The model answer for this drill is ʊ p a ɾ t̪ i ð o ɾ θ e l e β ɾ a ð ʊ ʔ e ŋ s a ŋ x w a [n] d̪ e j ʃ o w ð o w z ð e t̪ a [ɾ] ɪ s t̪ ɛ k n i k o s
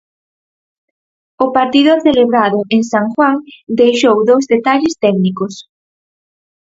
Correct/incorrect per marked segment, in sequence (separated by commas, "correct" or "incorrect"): incorrect, incorrect